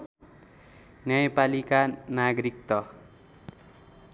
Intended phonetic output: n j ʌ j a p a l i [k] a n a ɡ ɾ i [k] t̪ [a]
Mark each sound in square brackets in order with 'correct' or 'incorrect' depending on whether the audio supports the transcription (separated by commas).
correct, correct, incorrect